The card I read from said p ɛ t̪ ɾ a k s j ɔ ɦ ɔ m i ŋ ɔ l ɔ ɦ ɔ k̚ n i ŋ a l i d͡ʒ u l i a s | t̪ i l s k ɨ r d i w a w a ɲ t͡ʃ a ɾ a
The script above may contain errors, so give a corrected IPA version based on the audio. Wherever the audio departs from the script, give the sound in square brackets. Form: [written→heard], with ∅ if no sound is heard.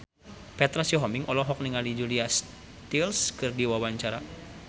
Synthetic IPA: p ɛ t̪ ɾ a [k→∅] s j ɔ ɦ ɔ m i ŋ ɔ l ɔ ɦ ɔ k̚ n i ŋ a l i d͡ʒ u l i a s | t̪ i l s k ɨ r d i w a w a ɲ t͡ʃ a ɾ a